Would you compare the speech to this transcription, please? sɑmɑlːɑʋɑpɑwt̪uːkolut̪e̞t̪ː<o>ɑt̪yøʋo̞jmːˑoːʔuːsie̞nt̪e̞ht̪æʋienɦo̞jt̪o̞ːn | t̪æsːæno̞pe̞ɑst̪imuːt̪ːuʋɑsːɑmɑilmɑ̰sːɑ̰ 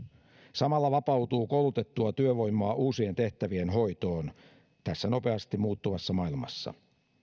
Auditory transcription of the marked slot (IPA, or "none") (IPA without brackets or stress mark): u